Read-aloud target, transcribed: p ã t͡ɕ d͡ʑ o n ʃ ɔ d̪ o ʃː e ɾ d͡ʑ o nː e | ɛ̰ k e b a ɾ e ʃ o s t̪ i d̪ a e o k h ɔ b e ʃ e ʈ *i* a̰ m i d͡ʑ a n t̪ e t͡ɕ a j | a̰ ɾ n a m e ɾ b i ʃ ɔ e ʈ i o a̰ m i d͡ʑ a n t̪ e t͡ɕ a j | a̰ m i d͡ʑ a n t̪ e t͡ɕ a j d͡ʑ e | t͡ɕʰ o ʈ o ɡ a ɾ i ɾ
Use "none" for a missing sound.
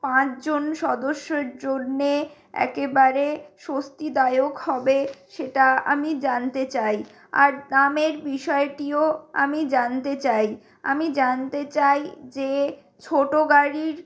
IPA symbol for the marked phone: a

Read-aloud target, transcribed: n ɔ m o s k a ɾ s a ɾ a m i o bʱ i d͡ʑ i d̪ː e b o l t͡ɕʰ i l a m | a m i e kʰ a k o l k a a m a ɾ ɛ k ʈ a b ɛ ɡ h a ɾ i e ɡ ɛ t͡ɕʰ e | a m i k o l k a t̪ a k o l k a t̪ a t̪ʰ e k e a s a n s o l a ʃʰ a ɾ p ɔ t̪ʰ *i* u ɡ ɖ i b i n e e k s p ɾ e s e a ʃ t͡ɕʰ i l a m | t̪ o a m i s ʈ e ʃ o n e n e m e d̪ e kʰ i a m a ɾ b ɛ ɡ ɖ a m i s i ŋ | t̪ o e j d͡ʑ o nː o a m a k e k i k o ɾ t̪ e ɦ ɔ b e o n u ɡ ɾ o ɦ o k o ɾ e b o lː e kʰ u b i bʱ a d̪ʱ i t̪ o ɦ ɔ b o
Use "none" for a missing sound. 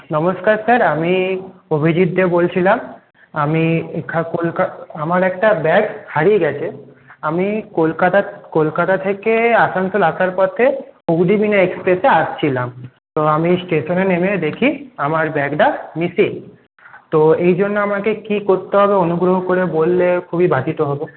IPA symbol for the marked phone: e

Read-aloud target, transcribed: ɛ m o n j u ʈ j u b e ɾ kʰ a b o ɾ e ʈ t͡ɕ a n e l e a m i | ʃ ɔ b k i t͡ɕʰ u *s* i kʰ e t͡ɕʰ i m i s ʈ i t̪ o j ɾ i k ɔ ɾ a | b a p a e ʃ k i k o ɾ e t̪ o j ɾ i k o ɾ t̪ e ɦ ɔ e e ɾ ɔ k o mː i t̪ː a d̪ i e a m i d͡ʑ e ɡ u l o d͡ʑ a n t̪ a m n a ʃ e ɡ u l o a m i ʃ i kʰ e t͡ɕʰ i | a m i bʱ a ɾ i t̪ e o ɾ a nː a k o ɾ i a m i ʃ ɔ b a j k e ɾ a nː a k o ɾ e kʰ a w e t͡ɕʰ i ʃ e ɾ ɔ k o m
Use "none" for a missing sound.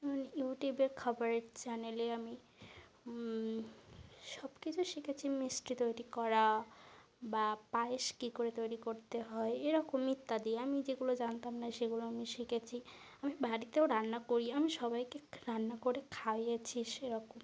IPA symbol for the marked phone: ʃ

